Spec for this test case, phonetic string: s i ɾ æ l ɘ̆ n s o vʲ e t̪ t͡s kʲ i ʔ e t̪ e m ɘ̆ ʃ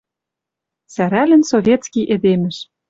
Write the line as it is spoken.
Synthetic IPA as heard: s æ ɾ æ l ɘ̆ n s o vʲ e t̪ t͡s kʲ i ʔ e d̪ e m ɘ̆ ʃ